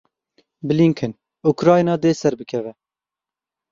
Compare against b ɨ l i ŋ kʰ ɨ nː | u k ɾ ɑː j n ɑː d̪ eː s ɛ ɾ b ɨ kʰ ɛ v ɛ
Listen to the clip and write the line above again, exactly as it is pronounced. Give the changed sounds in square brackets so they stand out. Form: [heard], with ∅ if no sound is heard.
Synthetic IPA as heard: b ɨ l i ŋ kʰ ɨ [n] | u k ɾ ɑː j n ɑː d̪ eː s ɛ ɾ b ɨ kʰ ɛ v ɛ